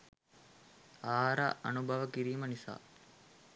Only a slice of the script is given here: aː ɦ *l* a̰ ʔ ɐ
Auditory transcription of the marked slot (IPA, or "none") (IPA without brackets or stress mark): ɾ